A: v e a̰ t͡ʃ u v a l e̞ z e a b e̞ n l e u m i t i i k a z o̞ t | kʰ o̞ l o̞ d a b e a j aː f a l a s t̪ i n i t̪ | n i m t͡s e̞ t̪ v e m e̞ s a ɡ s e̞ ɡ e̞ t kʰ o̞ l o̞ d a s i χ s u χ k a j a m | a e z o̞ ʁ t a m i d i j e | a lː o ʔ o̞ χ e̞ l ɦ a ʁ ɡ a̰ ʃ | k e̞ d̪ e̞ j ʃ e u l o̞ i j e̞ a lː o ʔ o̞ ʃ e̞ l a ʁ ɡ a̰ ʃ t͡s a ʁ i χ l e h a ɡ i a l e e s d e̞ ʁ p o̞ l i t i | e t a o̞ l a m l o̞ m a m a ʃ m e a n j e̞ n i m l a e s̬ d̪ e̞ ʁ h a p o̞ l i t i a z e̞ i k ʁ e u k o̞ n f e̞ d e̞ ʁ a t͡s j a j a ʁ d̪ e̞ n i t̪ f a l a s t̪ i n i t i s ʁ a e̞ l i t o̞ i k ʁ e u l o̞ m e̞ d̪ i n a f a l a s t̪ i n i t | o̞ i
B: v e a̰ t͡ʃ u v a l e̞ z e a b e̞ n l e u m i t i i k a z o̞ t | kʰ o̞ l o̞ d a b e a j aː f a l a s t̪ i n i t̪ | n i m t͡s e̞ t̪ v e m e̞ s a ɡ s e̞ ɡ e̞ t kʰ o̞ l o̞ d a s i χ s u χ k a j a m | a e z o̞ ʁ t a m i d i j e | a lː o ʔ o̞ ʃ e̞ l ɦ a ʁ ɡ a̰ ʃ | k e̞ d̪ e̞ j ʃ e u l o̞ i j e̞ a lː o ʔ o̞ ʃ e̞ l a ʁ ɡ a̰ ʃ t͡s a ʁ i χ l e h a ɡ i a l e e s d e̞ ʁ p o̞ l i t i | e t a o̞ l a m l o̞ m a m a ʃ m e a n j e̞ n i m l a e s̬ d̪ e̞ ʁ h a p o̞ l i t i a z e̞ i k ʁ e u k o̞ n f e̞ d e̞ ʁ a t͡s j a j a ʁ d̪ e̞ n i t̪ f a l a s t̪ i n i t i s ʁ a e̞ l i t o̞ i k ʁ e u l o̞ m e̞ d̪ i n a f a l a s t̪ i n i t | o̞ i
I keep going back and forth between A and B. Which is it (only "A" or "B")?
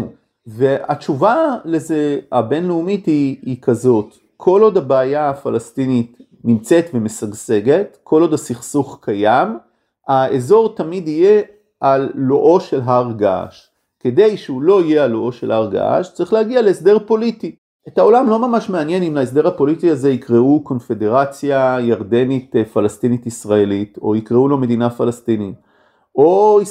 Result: B